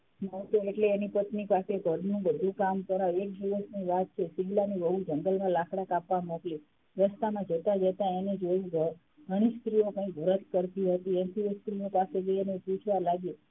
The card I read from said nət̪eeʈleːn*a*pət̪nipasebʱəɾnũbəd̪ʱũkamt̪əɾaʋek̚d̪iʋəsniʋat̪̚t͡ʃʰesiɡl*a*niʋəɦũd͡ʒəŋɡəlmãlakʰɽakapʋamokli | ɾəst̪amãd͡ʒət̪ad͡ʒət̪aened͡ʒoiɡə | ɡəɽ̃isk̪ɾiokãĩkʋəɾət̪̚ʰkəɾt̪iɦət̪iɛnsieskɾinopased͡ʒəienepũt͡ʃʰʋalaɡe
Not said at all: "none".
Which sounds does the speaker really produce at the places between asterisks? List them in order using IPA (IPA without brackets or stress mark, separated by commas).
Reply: i, a